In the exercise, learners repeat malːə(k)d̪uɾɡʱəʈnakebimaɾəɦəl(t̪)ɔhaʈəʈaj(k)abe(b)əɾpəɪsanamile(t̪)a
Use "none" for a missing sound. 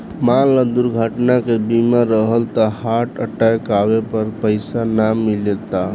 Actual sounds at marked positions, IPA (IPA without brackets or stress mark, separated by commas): none, t̪, k, p, t̪